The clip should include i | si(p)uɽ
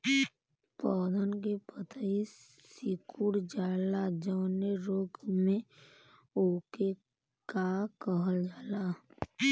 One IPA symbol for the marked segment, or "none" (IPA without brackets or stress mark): k